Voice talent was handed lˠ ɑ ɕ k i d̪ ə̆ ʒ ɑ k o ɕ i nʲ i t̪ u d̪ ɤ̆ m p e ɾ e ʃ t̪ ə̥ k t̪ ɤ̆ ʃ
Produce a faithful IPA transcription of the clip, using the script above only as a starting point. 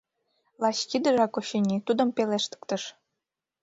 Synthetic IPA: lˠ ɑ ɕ k i d̪ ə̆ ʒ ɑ k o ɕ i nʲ i t̪ u d̪ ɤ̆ m p e l e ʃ t̪ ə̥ k t̪ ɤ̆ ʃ